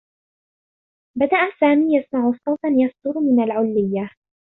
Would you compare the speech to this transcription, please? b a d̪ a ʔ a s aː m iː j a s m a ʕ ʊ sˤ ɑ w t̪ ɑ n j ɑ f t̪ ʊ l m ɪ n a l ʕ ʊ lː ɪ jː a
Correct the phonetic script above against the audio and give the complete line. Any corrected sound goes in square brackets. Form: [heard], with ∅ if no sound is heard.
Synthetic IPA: b a d̪ a ʔ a s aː m iː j a s m a ʕ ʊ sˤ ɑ w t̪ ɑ n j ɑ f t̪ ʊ [ɾ] m ɪ n a l ʕ ʊ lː ɪ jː a